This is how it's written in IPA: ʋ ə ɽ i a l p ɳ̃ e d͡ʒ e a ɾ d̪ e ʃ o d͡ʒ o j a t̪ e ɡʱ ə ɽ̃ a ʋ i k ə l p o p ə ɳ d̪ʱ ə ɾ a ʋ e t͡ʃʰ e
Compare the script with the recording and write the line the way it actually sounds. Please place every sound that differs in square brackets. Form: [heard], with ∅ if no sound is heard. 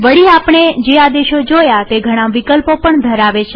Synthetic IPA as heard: ʋ ə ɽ i a [∅] p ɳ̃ e d͡ʒ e a [∅] d̪ e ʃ o d͡ʒ o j a t̪ e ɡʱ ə ɽ̃ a ʋ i k ə l p o p ə ɳ d̪ʱ ə ɾ a ʋ e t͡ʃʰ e

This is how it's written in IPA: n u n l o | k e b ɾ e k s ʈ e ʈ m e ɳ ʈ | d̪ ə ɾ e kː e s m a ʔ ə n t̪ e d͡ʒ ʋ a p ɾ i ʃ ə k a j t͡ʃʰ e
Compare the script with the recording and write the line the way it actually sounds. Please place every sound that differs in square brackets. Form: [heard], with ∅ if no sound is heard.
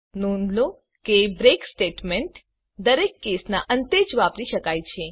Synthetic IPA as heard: n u n l o | k e b ɾ e k s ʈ e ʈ m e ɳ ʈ | d̪ ə ɾ e kː e s [n] a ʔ ə n t̪ e d͡ʒ ʋ a p ɾ i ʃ ə k a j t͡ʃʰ e

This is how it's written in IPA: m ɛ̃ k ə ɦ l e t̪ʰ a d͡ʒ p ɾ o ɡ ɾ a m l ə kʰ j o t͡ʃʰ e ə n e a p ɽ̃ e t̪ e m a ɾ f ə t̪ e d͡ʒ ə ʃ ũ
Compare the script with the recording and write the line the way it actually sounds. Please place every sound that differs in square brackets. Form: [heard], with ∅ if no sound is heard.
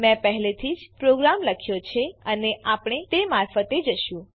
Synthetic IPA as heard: m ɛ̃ [p] ə ɦ l e t̪ʰ [i] d͡ʒ p ɾ o ɡ ɾ a m l ə kʰ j o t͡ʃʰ e ə n e a p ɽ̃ e t̪ e m a ɾ f ə t̪ e d͡ʒ ə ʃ ũ

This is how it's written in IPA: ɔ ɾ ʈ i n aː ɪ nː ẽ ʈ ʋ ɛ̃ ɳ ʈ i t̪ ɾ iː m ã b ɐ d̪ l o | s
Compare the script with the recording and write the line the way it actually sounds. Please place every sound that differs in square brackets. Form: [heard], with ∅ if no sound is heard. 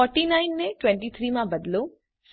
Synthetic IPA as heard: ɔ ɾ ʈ i n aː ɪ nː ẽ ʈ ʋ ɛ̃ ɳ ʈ i [t̪ʰ] ɾ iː m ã b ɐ d̪ l o | s

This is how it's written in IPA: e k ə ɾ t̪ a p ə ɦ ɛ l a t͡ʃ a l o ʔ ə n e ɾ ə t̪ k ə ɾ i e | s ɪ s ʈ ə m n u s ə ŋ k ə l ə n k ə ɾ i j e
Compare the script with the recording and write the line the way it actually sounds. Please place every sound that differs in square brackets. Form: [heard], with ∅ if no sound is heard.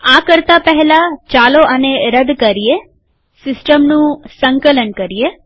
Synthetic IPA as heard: [a] k ə ɾ t̪ a p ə ɦ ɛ l a t͡ʃ a l o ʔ ə n e ɾ ə [d̪] k ə ɾ i e | s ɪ s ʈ ə m n [ũ] s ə ŋ k ə l ə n k ə ɾ i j e

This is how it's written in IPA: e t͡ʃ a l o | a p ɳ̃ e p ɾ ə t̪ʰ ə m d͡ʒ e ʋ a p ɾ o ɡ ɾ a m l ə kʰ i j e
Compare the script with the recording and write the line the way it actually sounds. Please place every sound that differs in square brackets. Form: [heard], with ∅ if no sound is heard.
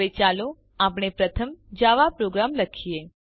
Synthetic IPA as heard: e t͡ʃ a l o | a p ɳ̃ e p ɾ ə t̪ʰ ə m d͡ʒ [a] ʋ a p ɾ o ɡ ɾ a m l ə kʰ i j e

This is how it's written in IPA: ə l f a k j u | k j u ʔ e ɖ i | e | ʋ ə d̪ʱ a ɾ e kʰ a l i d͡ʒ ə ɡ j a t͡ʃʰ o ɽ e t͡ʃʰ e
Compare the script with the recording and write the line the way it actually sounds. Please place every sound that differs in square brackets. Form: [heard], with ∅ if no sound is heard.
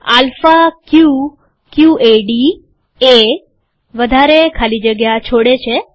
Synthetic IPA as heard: [a] l f a k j u | k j u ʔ e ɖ i | e | ʋ ə d̪ʱ a ɾ e kʰ a l i d͡ʒ ə ɡ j a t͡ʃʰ o ɽ e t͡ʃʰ e

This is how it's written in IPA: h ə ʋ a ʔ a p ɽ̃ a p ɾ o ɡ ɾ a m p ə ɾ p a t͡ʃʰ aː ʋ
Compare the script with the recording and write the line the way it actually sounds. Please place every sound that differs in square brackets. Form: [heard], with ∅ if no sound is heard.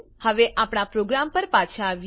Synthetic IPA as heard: h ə ʋ [e] ʔ a p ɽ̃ a p ɾ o ɡ ɾ a m p ə ɾ p a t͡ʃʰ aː ʋ

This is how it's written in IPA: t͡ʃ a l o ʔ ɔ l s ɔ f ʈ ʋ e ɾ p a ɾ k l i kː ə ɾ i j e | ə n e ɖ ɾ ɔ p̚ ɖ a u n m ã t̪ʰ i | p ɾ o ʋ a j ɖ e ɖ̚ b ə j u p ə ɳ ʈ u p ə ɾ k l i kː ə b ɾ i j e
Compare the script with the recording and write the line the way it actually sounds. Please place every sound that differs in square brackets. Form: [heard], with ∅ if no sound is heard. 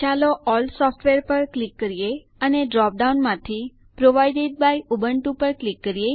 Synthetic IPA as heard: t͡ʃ a l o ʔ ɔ l s ɔ f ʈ ʋ e ɾ p [ə] ɾ k l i kː ə ɾ i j e | ə n e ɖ ɾ ɔ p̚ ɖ a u n m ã t̪ʰ i | p ɾ o ʋ a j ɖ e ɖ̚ b [a] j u [b] ə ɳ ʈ u p ə ɾ k l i kː ə [∅] ɾ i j e

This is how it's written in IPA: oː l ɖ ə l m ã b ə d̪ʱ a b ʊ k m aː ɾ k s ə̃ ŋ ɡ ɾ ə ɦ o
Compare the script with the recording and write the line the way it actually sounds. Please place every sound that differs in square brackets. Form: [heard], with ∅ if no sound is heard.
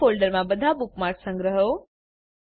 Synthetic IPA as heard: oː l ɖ ə [ɾ] m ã b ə d̪ʱ a b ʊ k m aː ɾ k s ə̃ ŋ ɡ ɾ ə ɦ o

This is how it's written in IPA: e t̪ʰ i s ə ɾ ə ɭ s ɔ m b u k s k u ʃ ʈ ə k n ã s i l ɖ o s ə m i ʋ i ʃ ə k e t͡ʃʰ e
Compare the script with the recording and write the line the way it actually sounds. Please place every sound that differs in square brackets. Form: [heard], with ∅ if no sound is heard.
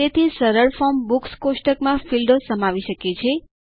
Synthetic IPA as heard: e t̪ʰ i s ə ɾ ə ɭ [f] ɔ m b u k s k [o] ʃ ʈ ə k [m] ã [f] i l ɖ o s ə m [a] ʋ i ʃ ə k e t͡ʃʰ e

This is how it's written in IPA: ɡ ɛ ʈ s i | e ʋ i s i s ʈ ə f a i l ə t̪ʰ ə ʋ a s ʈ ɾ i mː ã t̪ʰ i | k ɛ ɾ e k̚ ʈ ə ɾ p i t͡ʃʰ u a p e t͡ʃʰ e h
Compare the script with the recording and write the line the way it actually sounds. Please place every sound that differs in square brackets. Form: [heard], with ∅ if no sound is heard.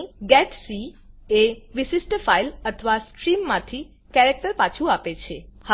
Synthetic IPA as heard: ɡ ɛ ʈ s i | e ʋ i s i s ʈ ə f a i l ə t̪ʰ ə ʋ a s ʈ ɾ i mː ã t̪ʰ i | k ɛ ɾ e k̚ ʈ ə ɾ p [a] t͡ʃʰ u a p e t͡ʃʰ e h

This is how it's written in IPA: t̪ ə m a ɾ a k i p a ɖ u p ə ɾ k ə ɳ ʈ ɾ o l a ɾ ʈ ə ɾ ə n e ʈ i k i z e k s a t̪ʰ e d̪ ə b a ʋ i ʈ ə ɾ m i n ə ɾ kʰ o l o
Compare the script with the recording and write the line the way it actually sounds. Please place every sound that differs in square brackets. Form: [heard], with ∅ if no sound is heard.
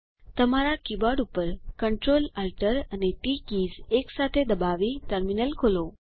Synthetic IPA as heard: t̪ ə m a ɾ a k i [b] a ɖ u p ə ɾ k ə ɳ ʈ ɾ o l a [l] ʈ ə ɾ ə n e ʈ i k i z e k s a t̪ʰ e d̪ ə b a ʋ i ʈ ə ɾ m i n ə [l] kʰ o l o

